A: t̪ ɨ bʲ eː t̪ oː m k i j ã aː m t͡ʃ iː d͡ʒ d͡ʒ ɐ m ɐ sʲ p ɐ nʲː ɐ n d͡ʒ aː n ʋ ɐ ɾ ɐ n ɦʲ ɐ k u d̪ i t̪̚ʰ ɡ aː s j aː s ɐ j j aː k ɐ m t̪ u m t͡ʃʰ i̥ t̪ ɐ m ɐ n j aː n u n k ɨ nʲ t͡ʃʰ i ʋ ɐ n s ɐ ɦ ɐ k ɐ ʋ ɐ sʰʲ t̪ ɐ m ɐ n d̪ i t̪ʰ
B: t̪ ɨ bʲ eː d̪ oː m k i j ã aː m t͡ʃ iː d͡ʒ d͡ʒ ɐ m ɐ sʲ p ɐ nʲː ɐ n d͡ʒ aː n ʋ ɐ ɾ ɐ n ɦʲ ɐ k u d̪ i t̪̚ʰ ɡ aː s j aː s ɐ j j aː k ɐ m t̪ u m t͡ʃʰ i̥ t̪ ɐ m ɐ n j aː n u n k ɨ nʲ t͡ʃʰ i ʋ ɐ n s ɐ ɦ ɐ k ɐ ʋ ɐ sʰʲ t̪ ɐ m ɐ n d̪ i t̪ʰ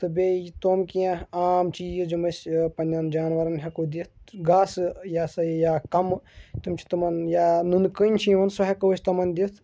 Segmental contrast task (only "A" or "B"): A